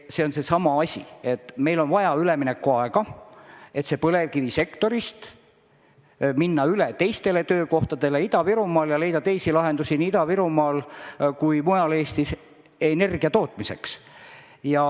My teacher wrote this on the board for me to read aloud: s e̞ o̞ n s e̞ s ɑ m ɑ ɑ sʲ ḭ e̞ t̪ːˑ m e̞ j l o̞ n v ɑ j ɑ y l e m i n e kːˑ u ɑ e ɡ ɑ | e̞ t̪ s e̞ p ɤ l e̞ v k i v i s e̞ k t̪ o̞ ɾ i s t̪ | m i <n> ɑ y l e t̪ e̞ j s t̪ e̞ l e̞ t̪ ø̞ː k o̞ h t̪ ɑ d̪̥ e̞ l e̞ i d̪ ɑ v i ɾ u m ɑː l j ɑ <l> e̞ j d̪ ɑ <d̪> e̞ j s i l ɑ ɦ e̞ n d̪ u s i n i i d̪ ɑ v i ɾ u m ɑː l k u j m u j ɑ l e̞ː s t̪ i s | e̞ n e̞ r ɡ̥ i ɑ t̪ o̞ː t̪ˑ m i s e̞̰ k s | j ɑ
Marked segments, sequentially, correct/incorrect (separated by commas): incorrect, correct, incorrect